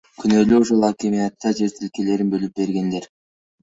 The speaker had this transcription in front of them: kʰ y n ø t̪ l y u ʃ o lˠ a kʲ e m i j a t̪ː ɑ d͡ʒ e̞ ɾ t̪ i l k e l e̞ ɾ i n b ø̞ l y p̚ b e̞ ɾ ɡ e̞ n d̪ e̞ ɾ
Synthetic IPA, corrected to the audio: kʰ y n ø l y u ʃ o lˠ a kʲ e m i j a t̪ː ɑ d͡ʒ e̞ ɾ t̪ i l k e l e̞ ɾ i n b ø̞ l y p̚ b e̞ ɾ ɡ e̞ n d̪ e̞ ɾ